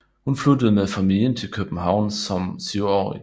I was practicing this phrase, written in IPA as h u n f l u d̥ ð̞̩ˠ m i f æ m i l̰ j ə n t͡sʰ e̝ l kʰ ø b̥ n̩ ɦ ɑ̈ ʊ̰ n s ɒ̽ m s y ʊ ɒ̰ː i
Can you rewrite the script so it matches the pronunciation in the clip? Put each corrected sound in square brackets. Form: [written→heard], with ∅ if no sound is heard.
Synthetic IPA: h u n f l u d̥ ð̞̩ˠ m [i→e] f æ m i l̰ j ə n t͡sʰ e̝ l kʰ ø b̥ n̩ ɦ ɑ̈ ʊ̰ n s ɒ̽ m s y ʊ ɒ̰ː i